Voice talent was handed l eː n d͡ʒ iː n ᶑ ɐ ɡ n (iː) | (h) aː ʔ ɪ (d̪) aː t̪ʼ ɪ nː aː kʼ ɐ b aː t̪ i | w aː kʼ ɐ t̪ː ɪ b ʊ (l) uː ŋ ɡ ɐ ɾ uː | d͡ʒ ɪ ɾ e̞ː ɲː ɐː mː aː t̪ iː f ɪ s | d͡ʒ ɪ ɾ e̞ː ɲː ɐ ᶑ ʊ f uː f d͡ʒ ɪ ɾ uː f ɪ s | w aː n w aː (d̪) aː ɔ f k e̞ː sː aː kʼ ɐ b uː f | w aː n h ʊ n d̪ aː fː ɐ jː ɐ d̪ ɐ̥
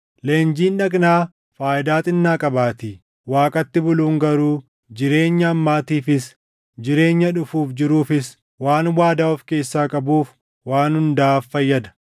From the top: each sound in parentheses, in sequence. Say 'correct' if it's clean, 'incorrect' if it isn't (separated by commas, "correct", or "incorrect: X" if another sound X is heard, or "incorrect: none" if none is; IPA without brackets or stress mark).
incorrect: aː, incorrect: f, correct, correct, correct